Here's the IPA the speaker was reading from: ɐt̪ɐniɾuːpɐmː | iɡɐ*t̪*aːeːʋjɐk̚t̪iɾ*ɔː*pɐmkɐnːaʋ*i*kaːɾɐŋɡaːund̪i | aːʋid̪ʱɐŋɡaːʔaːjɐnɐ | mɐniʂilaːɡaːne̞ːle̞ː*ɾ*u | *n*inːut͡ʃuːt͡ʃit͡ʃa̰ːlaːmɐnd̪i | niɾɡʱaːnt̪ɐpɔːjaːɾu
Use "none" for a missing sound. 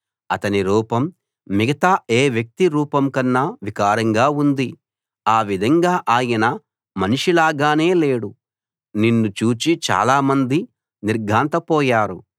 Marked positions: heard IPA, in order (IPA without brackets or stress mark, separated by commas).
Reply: t̪, uː, i, ɽ, n